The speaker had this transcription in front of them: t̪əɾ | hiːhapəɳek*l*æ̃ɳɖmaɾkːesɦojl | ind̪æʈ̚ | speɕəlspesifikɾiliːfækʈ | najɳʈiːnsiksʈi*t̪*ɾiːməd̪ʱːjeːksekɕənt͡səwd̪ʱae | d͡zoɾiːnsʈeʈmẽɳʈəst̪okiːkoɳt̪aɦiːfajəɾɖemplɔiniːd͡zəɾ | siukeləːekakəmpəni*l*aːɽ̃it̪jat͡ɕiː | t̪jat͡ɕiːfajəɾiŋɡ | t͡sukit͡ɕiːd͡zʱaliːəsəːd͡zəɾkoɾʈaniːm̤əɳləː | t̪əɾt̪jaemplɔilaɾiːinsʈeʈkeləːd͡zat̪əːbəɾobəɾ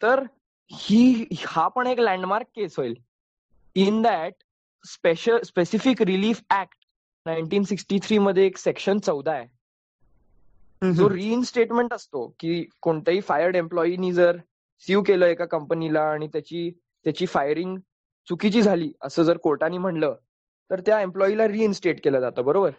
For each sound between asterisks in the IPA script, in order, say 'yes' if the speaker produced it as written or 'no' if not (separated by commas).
yes, no, yes